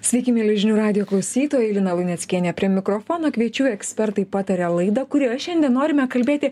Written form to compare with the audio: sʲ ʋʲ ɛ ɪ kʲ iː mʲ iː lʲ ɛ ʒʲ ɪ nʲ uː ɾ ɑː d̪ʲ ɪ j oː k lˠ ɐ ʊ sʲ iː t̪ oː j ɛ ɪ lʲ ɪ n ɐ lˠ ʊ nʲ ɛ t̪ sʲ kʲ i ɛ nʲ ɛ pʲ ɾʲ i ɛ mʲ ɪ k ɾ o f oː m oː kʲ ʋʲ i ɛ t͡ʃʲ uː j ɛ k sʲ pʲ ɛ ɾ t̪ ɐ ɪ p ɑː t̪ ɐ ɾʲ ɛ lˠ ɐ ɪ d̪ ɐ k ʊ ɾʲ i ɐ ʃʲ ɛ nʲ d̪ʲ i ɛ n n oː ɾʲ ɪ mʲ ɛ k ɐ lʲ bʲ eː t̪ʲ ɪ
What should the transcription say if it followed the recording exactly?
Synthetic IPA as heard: sʲ ʋʲ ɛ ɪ kʲ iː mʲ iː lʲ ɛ ʒʲ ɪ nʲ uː ɾ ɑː d̪ʲ ɪ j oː k lˠ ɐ ʊ sʲ iː t̪ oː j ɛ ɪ lʲ ɪ n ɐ lˠ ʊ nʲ ɛ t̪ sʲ kʲ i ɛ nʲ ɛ pʲ ɾʲ i ɛ mʲ ɪ k ɾ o f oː n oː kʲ ʋʲ i ɛ t͡ʃʲ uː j ɛ k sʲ pʲ ɛ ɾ t̪ ɐ ɪ p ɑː t̪ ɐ ɾʲ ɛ lˠ ɐ ɪ d̪ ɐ k ʊ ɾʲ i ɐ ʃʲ ɛ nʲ d̪ʲ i ɛ n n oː ɾʲ ɪ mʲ ɛ k ɐ lʲ bʲ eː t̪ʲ ɪ